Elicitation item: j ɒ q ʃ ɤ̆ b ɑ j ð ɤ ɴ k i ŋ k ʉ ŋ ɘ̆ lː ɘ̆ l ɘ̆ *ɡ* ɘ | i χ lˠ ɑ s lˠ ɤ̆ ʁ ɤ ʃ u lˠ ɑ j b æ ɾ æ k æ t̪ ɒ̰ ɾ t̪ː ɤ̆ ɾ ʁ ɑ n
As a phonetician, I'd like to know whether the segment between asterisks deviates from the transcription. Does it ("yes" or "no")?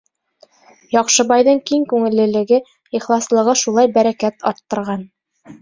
no